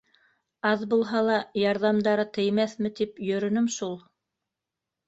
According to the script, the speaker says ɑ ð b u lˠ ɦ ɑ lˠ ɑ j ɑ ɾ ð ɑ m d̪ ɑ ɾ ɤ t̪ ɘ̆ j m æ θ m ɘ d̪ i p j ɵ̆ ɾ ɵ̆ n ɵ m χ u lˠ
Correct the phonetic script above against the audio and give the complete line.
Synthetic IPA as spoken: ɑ ð b u lˠ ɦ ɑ lˠ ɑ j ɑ ɾ ð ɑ m d̪ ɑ ɾ ɤ t̪ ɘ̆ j m æ θ m ɘ t̪ i p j ɵ̆ ɾ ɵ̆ n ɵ m ʃ u lˠ

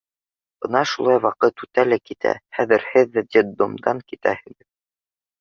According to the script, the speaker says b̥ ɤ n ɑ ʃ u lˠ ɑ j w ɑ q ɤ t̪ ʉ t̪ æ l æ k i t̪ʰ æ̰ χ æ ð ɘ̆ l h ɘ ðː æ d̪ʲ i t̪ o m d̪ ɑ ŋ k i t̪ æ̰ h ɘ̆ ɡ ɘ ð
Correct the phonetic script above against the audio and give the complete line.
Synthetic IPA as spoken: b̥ ɤ n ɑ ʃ u lˠ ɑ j w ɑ q ɤ t̪ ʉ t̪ æ l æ k i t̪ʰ æ̰ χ æ ð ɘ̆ ɾ h ɘ ðː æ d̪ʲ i d̪ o m d̪ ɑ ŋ k i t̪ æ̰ h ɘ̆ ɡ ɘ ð

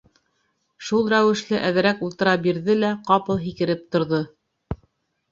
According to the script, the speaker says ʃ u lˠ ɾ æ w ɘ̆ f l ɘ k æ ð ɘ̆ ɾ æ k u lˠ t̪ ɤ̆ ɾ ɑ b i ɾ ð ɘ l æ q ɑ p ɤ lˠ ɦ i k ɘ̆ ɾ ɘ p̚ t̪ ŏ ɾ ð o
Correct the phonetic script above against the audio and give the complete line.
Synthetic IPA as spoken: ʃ u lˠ ɾ æ w ɘ̆ ʃ l ɘ ʔ æ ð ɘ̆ ɾ æ k u lˠ t̪ ɤ̆ ɾ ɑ b i ɾ ð ɘ l æ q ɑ p ɤ lˠ ɦ i k ɘ̆ ɾ ɘ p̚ t̪ ŏ ɾ ð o

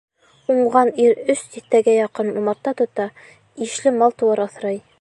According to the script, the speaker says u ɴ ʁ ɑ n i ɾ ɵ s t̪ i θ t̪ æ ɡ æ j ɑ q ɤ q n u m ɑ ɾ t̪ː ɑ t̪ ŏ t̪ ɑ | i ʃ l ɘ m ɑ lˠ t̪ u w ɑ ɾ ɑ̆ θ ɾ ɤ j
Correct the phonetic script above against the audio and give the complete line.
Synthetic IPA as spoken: u ɴ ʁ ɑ n i ɾ ɵ s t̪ i θ t̪ æ ɡ æ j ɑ q ɤ n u m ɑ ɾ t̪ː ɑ t̪ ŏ t̪ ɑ | i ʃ l ɘ m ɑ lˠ t̪ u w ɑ ɾ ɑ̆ θ ɾ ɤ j

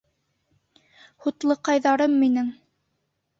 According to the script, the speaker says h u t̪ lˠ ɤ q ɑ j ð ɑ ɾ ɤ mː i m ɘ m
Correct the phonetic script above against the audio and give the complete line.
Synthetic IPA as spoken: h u t̪ lˠ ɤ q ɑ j ð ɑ ɾ ɤ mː i n ɘ ŋ

